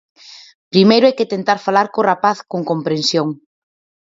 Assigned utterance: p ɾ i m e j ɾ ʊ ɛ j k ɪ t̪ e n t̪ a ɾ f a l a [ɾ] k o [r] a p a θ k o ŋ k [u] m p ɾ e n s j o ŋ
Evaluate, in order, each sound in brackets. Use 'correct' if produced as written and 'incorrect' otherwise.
correct, correct, incorrect

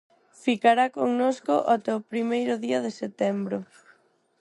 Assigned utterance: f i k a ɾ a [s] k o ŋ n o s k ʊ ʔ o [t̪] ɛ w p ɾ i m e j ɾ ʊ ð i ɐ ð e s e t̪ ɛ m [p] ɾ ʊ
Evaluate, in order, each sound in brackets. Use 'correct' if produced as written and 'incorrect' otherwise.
incorrect, correct, incorrect

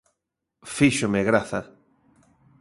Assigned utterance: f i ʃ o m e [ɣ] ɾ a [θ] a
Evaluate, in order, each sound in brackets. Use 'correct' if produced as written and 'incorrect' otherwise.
correct, correct

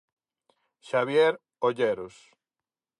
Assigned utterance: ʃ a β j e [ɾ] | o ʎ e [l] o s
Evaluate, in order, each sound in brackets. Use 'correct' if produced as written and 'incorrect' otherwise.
correct, incorrect

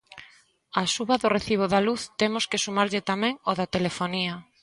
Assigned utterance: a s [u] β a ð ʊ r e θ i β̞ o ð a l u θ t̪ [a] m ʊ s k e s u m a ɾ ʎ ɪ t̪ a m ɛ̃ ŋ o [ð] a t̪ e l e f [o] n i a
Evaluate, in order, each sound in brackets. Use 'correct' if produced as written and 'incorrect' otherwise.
correct, incorrect, correct, correct

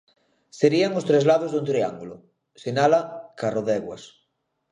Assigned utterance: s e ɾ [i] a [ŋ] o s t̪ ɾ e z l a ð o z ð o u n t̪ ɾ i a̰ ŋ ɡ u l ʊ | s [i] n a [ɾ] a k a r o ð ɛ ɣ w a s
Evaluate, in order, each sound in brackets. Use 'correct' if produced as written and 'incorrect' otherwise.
correct, correct, incorrect, incorrect

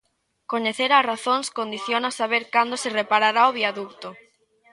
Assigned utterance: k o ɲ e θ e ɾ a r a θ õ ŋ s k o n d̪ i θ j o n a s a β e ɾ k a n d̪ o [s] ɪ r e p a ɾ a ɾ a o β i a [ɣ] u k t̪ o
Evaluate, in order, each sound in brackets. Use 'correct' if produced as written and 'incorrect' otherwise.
correct, incorrect

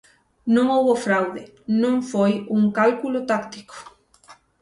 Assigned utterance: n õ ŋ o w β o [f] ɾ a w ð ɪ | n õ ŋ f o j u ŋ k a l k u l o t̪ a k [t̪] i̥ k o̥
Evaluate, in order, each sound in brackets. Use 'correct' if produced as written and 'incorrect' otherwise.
correct, correct

